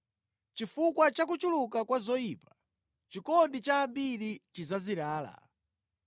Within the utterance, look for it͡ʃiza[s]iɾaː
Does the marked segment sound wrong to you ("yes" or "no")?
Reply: yes